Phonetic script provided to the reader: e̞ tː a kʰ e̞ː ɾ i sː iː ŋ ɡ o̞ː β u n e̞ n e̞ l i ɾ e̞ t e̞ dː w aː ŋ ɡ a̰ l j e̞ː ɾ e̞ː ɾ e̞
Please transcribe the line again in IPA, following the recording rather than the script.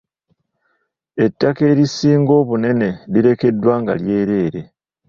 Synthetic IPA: e̞ tː a k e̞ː ɾ i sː iː ŋ ɡ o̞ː β u n e̞ n e̞ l i ɾ e̞ k e̞ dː w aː ŋ ɡ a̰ l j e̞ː ɾ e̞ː ɾ e̞